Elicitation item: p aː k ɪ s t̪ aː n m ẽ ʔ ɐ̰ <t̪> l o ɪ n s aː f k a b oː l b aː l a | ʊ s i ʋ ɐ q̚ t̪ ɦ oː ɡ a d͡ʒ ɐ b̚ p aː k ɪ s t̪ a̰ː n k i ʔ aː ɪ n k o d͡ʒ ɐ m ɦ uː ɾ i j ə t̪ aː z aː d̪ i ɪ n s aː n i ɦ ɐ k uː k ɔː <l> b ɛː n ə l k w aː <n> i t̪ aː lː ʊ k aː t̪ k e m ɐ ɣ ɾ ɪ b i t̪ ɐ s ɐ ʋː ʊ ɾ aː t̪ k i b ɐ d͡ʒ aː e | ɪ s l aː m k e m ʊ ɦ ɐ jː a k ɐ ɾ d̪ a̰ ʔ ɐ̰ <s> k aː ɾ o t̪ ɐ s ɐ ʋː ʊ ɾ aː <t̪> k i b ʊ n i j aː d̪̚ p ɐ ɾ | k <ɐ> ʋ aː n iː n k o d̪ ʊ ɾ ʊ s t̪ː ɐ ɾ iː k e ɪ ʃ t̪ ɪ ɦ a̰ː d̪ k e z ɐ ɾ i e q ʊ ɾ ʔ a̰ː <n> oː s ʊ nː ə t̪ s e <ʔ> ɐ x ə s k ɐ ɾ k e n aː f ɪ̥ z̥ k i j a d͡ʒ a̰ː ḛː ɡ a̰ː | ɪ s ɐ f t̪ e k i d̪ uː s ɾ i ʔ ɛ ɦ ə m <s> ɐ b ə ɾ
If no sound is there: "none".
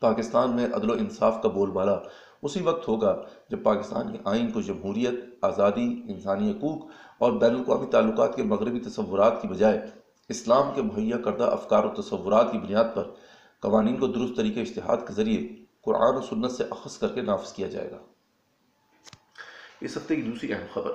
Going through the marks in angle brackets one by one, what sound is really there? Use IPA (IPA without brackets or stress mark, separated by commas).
d̪, ɾ, m, f, t̪, ɐ, n, ʔ, x